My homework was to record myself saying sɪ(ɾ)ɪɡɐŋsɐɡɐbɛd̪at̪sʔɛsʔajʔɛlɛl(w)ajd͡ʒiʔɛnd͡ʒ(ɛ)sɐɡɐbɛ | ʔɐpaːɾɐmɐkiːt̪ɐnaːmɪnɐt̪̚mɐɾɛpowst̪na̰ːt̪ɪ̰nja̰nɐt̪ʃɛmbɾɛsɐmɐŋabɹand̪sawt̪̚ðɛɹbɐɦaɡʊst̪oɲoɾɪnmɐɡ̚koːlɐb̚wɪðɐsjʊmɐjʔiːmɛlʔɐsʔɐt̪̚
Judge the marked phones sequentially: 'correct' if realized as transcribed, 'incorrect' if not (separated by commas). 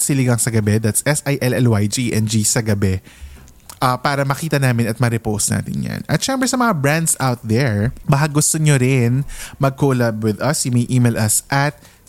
incorrect, correct, incorrect